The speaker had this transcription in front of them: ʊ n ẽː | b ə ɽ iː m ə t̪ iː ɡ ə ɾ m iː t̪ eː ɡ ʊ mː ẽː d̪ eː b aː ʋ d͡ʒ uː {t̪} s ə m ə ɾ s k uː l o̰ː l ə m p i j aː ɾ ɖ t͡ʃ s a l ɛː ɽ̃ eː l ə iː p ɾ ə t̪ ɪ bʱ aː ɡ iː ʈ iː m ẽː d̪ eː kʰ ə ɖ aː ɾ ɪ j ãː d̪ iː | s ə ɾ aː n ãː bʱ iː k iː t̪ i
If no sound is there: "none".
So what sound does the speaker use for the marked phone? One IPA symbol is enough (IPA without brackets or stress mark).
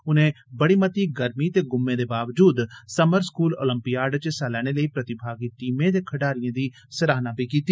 d̪